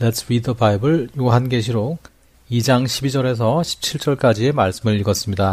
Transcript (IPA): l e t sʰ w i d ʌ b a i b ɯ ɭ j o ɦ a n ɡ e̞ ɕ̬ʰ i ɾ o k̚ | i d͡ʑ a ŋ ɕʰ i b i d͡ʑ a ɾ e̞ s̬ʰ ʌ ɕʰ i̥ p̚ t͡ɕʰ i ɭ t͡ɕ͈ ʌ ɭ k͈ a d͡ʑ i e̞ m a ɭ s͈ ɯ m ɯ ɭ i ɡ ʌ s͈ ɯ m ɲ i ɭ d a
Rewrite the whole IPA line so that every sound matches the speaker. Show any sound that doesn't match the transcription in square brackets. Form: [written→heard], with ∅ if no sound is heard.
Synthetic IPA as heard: l e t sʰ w i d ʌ b a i b ɯ ɭ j o ɦ a n ɡ e̞ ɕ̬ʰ i ɾ o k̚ | i d͡ʑ a ŋ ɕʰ i b i d͡ʑ [a→ʌ] ɾ e̞ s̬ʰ ʌ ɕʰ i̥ p̚ t͡ɕʰ i ɭ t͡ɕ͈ ʌ ɭ k͈ a d͡ʑ i e̞ m a ɭ s͈ ɯ m ɯ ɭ i ɡ ʌ s͈ ɯ m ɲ i [ɭ→∅] d a